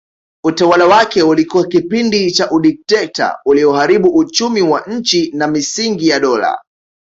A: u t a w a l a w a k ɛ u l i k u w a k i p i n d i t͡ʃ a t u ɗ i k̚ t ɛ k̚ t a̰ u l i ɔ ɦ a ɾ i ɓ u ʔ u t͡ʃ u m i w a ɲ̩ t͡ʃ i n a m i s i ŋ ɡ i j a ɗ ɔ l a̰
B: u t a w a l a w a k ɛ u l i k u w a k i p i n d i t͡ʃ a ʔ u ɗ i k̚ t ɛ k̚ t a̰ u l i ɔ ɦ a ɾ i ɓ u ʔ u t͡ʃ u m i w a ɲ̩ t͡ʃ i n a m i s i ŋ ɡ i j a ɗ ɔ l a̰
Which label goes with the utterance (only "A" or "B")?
B